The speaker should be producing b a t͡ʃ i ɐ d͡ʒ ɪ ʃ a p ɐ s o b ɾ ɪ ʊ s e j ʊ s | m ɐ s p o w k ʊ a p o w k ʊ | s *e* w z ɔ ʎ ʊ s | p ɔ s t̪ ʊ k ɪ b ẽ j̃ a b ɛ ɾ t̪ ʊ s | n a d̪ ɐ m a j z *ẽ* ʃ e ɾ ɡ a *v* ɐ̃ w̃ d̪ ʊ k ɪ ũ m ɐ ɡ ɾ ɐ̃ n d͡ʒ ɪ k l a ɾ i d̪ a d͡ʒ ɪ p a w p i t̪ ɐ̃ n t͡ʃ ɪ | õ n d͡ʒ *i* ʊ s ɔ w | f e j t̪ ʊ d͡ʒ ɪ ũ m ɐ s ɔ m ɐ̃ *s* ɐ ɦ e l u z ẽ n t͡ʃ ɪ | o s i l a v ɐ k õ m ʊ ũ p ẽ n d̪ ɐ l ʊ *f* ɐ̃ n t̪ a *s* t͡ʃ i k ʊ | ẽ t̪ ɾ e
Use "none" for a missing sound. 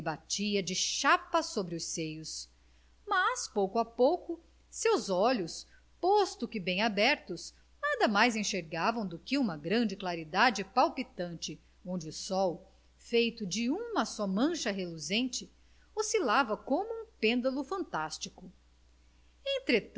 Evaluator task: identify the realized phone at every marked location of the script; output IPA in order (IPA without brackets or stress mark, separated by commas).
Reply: e, ẽ, v, ɪ, ʃ, f, s